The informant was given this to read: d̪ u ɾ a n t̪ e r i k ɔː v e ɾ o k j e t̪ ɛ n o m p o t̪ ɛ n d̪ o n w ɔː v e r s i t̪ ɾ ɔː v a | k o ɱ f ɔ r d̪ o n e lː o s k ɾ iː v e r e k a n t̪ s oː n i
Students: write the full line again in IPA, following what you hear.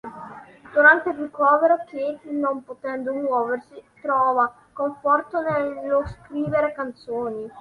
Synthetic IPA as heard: d̪ u ɾ a n t̪ e r i k ɔː v e ɾ o k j e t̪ i n o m p o t̪ ɛ n d̪ o m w ɔː v e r s i t̪ ɾ ɔː v a | k o ɱ f ɔ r t̪ o n e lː o s k ɾ iː v e ɾ e k a n t̪ s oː n i